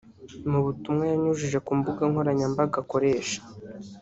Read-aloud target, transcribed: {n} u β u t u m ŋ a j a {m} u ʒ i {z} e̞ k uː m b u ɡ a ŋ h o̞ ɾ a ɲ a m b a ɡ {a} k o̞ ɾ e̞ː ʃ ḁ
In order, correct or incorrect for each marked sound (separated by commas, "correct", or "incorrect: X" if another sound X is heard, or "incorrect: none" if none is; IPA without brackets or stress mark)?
incorrect: m, incorrect: ɲ, incorrect: ʒ, correct